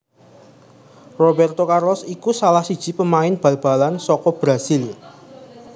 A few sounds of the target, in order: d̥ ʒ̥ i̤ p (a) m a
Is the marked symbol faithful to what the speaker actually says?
no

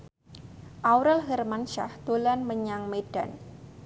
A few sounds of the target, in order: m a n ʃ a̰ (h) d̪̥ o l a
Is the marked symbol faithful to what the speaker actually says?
yes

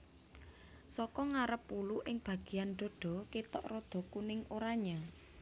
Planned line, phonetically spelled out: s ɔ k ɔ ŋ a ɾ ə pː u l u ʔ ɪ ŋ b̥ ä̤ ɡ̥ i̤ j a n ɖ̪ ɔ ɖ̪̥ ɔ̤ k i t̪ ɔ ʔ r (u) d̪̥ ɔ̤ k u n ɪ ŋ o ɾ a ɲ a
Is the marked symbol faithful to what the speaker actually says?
no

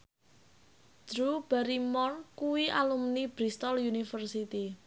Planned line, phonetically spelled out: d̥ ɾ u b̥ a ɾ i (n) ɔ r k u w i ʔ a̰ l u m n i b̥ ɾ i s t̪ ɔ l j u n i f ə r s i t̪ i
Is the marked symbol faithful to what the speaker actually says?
no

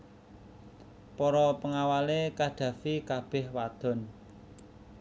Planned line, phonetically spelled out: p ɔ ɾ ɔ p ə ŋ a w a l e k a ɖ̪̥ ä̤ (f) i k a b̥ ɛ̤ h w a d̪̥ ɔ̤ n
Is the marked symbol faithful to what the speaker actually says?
yes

